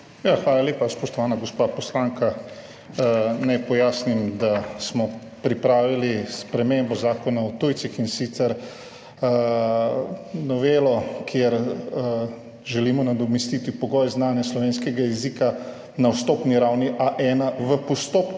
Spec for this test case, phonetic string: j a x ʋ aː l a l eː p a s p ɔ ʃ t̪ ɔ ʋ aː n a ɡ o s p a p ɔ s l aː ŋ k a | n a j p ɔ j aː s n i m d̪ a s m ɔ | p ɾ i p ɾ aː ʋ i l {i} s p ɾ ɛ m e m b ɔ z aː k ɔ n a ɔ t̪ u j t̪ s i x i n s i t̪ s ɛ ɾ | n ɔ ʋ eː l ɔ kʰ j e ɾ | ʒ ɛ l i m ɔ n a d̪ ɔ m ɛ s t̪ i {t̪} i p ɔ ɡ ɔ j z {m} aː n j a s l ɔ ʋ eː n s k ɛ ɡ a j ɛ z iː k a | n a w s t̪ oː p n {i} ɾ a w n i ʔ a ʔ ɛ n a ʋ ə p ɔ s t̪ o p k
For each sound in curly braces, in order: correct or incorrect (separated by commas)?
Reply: correct, correct, incorrect, correct